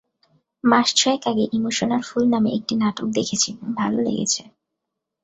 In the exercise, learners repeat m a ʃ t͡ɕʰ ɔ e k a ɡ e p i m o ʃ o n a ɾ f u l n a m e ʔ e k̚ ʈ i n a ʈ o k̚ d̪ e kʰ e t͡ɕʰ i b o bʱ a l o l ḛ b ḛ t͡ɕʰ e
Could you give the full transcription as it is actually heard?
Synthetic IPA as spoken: m a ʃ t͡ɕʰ ɔ e k a ɡ e ʔ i m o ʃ o n a ɾ f u l n a m e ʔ e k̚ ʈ i n a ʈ o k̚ d̪ e kʰ e t͡ɕʰ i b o bʱ a l o l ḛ ɡ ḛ t͡ɕʰ e